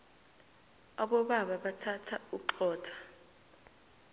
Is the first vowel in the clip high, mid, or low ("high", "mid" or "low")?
low